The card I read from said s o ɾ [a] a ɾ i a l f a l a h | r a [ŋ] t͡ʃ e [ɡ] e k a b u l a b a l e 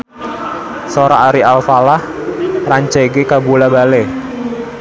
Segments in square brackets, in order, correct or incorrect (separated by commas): correct, incorrect, correct